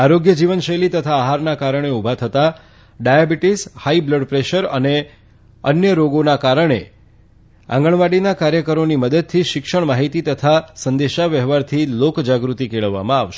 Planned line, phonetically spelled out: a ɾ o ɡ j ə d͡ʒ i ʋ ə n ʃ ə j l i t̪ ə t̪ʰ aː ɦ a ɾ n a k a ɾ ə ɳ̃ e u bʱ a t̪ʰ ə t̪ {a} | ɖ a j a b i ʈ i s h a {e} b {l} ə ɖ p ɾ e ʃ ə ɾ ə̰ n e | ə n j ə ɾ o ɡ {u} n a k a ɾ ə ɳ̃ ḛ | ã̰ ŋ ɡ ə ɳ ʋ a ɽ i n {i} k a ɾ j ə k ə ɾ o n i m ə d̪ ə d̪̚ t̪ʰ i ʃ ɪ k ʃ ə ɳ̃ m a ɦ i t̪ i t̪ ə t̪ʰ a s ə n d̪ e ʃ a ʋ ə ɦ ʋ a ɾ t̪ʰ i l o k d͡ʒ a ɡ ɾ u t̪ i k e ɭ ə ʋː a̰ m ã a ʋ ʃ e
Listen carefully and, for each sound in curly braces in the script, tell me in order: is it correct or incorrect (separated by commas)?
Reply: correct, incorrect, correct, incorrect, incorrect